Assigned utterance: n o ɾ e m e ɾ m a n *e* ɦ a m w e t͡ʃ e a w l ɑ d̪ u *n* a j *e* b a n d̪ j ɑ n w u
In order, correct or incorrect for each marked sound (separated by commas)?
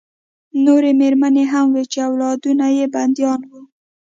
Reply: correct, correct, correct